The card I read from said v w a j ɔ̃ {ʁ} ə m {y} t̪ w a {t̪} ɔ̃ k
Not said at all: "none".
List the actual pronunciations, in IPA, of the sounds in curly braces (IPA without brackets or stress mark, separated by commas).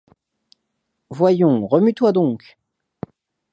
ʁ, y, d̪